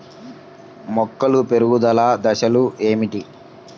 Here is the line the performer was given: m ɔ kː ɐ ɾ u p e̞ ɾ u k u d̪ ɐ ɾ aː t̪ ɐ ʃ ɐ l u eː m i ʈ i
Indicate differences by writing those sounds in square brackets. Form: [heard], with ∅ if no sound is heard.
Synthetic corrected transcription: m ɔ kː ɐ [l] u p e̞ ɾ u [ɡ] u d̪ ɐ [l] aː [d̪] ɐ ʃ ɐ l u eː m i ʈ i